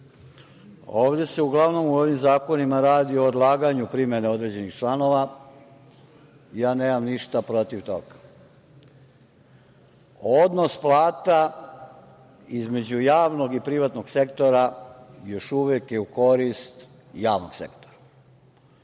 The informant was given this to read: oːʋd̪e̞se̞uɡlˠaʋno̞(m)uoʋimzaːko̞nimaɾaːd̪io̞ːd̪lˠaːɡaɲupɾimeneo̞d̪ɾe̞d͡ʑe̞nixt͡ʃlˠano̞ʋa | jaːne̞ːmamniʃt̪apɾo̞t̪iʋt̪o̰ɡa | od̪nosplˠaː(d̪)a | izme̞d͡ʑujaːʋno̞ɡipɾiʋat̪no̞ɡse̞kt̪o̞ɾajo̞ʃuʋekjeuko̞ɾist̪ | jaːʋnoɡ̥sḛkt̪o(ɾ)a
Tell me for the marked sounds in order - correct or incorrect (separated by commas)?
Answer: correct, incorrect, correct